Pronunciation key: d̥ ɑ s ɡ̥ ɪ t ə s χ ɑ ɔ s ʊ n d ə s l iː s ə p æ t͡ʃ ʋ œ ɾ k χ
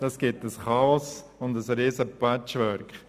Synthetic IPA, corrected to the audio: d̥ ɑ s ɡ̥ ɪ t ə s χ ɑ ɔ s ʊ n d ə s ɾ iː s ə p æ t͡ʃ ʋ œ ɾ k χ